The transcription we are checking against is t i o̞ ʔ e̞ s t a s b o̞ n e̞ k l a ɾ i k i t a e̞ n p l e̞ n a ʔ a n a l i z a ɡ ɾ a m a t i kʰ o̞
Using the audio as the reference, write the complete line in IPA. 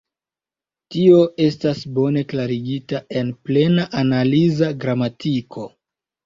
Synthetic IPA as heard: t i o̞ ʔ e̞ s t a s b o̞ n e̞ k l a ɾ i ɡ i t a e̞ n p l e̞ n a ʔ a n a l i z a ɡ ɾ a m a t i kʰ o̞